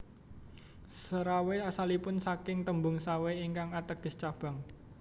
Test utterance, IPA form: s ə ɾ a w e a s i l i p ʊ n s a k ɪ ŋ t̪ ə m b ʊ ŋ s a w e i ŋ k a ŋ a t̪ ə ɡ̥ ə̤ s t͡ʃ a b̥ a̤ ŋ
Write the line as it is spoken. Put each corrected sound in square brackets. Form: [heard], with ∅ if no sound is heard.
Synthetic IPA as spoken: s ə ɾ a w e a s [a] l i p ʊ n s a k ɪ ŋ t̪ ə m b ʊ ŋ s a w e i ŋ k a ŋ a t̪ ə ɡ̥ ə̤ s t͡ʃ a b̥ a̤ ŋ